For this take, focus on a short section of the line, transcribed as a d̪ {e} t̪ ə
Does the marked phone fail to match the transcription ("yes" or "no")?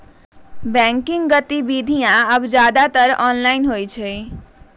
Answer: yes